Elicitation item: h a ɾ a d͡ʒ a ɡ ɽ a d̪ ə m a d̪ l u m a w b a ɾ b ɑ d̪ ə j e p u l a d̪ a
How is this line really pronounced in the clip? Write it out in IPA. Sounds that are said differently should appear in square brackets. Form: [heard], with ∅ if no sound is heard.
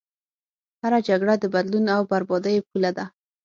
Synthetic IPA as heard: h a ɾ a d͡ʒ a ɡ ɽ a d̪ ə [b] a d̪ l u [n] a w b a ɾ b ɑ d̪ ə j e p u l a d̪ a